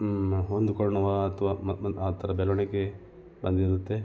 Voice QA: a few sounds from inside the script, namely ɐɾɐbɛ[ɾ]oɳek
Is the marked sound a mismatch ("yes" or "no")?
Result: yes